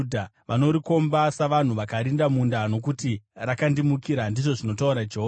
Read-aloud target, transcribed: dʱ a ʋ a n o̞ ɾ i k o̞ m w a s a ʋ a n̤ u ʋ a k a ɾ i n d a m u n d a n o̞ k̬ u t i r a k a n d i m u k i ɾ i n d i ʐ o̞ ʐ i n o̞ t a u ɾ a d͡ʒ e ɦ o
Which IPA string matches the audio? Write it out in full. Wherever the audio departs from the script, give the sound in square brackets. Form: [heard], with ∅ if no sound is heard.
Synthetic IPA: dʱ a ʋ a n o̞ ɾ i k o̞ m [b] a s a ʋ a n̤ u ʋ a k a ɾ i n d a m u n d a n o̞ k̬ u t i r a k a n d i m u k i ɾ [a] n d i ʐ o̞ ʐ i n o̞ t a u ɾ a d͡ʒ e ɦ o